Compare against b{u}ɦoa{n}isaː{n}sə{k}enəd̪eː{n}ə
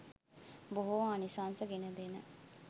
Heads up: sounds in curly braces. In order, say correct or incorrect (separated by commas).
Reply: incorrect, correct, correct, incorrect, correct